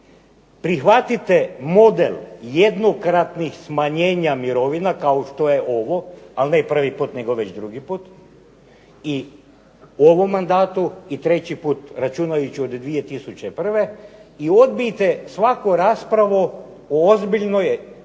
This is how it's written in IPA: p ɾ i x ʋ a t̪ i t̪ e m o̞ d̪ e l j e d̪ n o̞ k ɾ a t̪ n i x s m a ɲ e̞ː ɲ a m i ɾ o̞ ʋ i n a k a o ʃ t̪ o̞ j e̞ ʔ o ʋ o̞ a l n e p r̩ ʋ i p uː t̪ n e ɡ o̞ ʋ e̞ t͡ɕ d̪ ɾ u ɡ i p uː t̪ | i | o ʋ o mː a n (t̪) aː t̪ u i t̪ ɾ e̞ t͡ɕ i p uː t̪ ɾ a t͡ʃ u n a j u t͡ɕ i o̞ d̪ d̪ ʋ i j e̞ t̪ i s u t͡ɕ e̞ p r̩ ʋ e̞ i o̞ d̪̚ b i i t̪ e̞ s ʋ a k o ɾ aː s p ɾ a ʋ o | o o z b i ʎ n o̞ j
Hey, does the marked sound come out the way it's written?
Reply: no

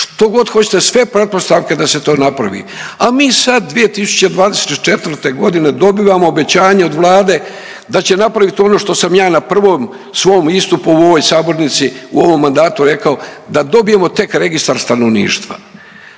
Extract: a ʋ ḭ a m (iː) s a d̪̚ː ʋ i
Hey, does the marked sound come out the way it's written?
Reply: yes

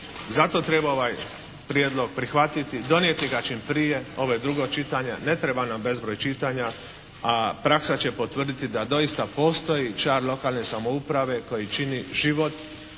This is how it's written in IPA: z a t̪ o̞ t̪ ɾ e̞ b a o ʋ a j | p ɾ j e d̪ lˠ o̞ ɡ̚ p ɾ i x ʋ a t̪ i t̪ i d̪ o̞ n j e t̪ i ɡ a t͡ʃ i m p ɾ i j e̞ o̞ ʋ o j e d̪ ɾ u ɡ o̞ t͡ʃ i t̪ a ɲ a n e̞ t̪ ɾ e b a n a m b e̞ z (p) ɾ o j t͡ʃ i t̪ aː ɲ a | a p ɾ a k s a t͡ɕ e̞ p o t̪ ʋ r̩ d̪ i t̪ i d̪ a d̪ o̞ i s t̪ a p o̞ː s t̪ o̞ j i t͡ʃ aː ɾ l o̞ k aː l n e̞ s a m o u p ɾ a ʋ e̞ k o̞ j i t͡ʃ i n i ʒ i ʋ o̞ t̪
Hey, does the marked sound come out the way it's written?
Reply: no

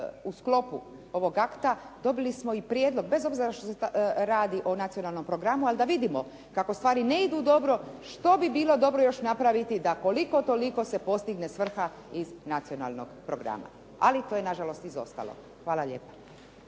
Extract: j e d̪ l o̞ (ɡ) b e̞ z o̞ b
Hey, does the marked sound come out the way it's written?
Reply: yes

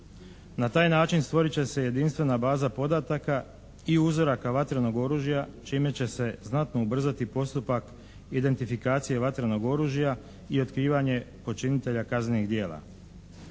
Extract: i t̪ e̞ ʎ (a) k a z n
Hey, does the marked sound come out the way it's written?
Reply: yes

